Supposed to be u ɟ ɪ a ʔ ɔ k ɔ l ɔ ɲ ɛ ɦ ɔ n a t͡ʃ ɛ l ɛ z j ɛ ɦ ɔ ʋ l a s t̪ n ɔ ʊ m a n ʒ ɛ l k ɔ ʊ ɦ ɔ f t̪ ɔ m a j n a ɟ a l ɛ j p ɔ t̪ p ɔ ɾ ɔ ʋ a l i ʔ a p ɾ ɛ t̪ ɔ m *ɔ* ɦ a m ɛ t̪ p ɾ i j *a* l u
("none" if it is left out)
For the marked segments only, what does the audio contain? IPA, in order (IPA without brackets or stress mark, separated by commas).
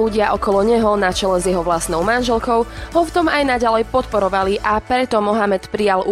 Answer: ɔ, a